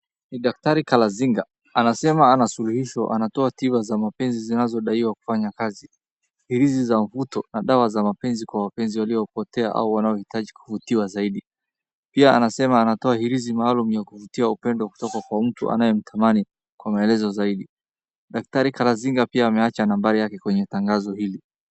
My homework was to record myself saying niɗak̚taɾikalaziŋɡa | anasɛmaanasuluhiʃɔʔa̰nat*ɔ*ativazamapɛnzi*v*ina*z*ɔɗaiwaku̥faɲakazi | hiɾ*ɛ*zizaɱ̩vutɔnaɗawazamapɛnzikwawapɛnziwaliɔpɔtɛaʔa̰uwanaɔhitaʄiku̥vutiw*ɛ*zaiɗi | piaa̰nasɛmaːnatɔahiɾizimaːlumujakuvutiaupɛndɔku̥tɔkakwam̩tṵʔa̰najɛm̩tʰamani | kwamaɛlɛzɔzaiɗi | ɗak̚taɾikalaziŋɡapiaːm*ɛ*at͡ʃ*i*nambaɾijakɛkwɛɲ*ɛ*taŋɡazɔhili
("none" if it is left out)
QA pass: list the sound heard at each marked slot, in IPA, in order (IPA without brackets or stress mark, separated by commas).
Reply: ɔ, z, z, i, a, ɛ, a, ɛ